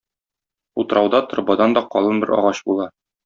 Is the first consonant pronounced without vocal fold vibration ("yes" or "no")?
yes